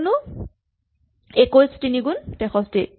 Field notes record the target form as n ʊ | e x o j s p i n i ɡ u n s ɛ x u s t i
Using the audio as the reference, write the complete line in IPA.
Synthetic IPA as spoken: n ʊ | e k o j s t i n i ɡ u n t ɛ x ɔ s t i

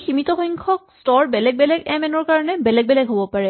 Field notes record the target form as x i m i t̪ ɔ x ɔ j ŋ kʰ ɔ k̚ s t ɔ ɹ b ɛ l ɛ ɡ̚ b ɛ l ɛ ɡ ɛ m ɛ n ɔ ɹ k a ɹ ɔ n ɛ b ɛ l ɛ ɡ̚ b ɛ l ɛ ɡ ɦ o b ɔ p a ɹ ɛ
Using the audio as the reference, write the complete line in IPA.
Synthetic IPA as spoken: x i m i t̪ ɔ x ɔ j ŋ kʰ ɔ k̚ s t ɔ ɹ b ɛ l ɛ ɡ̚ b ɛ l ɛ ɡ ɛ m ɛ n ɔ ɹ k a ɹ ɔ n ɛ b ɛ l ɛ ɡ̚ b ɛ l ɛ ɡ ɦ o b ɔ p a ɹ ɛ

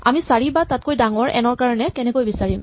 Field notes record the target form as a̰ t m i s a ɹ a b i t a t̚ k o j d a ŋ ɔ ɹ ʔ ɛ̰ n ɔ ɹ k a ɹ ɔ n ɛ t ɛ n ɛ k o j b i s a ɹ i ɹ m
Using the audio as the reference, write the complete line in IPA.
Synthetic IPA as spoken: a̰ m i s a ɹ i b a t a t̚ k o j d a ŋ ɔ ɹ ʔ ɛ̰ n ɔ ɹ k a ɹ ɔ n ɛ k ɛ n ɛ k o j b i s a ɹ i m

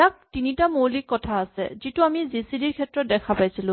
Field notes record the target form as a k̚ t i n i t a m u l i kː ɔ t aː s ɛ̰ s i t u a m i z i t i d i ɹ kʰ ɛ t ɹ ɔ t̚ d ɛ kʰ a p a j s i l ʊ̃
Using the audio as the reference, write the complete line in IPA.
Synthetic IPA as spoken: a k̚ t i n i t a m o l i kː ɔ tʰ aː s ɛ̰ z i t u a m i z i s i d i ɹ kʰ ɛ t ɹ ɔ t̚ d ɛ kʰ a p a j s i l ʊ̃

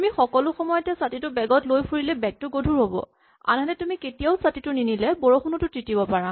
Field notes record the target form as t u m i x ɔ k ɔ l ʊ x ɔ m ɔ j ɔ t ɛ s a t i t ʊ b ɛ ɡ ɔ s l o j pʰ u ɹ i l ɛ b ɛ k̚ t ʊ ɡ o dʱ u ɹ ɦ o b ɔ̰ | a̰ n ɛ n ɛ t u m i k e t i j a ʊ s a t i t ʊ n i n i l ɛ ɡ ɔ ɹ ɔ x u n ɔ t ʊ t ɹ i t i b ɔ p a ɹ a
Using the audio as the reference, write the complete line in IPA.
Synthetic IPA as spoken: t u m i x ɔ k ɔ l ʊ x ɔ m ɔ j ɔ t ɛ s a t i t ʊ b ɛ ɡ ɔ t l o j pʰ u ɹ i l ɛ b ɛ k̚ t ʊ ɡ o dʱ u ɹ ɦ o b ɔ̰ | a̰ n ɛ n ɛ t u m i k e t i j a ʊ s a t i t ʊ n i n i l ɛ b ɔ ɹ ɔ x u n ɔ t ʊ t ɹ i t i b ɔ p a ɹ a

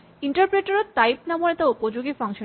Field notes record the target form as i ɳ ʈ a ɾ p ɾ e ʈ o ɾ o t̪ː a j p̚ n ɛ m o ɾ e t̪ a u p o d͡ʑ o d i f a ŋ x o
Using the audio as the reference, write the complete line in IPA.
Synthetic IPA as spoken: i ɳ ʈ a ɾ p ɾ e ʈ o ɾ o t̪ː a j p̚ n a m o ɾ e t̪ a u p o d͡ʑ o ɡ i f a ŋ ʃ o

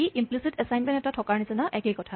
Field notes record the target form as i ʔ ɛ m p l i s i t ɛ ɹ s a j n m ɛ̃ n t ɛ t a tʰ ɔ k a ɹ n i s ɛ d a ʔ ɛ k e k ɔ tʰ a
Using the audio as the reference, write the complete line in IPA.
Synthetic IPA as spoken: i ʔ i m p l i s i t ɛ s a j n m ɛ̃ n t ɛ t a tʰ ɔ k a ɹ n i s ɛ n a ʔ ɛ k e k ɔ tʰ a

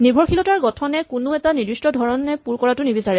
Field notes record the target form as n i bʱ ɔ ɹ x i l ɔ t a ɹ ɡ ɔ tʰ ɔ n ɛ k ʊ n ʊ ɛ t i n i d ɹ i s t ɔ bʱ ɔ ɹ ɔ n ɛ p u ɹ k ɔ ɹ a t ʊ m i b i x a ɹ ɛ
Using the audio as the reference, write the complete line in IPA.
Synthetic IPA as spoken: n i bʱ ɔ ɹ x i l ɔ t a ɹ ɡ ɔ tʰ ɔ n ɛ k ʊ n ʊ ɛ t a n i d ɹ i s t ɔ dʱ ɔ ɹ ɔ n ɛ p u ɹ k ɔ ɹ a t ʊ n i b i s a ɹ ɛ

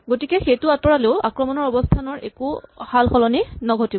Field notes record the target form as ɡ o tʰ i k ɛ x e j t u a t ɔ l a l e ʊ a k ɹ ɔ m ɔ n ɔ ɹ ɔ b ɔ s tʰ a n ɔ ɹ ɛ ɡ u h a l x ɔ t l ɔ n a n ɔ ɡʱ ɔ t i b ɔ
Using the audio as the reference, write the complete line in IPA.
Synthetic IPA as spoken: ɡ o t i k ɛ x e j t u a t ɔ ɹ a l e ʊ a k ɹ ɔ m ɔ n ɔ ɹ ɔ b ɔ s tʰ a n ɔ ɹ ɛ k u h a l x ɔ l ɔ n i n ɔ ɡʱ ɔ t i b ɔ

